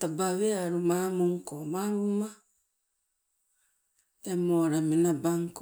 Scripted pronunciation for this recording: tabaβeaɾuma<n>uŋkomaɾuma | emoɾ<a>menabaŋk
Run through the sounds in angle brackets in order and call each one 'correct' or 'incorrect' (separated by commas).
incorrect, correct